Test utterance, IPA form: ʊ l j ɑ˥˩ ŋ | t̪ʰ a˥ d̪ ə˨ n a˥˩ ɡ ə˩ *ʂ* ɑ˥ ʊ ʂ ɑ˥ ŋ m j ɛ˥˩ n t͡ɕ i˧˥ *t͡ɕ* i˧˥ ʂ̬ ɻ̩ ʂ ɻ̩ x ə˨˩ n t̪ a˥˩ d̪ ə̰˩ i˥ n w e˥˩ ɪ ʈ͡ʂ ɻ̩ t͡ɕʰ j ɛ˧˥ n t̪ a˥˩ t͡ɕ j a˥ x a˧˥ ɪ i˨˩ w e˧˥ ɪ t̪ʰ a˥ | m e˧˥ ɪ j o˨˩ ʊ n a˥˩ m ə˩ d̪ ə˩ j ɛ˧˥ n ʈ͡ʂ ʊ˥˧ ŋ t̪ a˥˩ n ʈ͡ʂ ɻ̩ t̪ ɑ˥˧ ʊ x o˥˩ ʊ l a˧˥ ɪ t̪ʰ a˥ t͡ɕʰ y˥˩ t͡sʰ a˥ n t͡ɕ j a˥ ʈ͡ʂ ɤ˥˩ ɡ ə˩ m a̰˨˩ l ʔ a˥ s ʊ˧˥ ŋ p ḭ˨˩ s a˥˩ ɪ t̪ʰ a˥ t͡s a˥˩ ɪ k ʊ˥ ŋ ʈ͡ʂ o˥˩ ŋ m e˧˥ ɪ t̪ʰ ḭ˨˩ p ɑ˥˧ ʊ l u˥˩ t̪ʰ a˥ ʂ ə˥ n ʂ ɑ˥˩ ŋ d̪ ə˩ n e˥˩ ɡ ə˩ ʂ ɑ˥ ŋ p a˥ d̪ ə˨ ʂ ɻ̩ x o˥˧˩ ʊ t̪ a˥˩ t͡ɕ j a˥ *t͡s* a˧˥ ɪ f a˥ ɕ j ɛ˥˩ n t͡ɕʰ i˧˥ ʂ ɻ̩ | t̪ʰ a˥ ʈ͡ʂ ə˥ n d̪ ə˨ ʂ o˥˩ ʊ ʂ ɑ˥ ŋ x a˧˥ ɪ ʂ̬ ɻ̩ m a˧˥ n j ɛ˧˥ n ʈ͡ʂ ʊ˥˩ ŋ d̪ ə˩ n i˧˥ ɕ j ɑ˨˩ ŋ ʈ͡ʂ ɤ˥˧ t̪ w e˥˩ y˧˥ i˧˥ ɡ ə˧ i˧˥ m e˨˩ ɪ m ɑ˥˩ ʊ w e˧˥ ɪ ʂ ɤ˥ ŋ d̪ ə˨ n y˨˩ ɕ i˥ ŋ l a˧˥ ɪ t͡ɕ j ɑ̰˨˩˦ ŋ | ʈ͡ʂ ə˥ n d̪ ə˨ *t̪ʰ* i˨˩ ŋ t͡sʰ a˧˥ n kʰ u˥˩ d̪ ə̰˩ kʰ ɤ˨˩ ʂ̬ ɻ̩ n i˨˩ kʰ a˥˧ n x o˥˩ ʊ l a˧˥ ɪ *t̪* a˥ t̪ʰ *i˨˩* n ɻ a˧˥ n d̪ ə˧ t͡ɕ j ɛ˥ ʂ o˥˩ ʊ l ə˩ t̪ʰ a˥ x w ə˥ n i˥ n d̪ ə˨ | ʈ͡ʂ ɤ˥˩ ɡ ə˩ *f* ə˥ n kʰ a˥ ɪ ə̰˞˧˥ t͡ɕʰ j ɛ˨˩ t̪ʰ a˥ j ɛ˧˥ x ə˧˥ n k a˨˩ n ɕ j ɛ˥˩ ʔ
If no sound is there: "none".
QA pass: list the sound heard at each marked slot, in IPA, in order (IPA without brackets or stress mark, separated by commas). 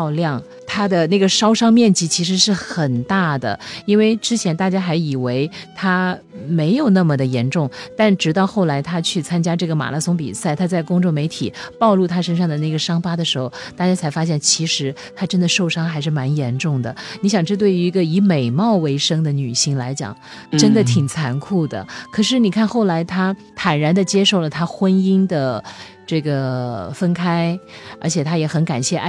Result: ʂ, t͡ɕʰ, t͡sʰ, t̪ʰ, t̪ʰ, a˨˩, f